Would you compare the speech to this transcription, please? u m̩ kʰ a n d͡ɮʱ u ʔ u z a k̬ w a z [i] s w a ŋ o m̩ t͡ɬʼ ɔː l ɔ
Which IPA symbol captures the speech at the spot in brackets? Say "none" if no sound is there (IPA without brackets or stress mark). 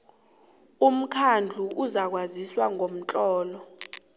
i